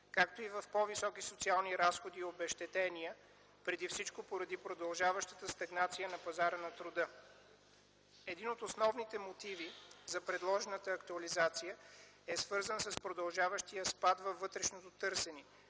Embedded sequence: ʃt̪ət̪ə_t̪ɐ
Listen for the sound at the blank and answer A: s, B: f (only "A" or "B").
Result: A